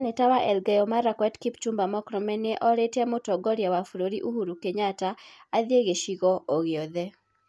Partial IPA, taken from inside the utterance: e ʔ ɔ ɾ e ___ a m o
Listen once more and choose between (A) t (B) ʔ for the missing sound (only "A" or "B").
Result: A